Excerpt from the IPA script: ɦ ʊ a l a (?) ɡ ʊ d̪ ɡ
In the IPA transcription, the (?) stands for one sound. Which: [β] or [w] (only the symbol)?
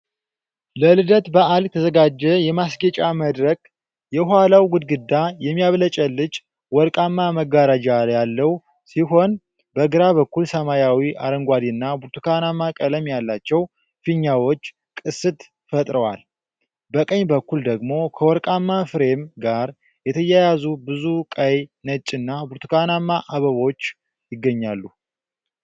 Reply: w